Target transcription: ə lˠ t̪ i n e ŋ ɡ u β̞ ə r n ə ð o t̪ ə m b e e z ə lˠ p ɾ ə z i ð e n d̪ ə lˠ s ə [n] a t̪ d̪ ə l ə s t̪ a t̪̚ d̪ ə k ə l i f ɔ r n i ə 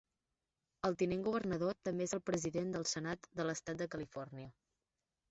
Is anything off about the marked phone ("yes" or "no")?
no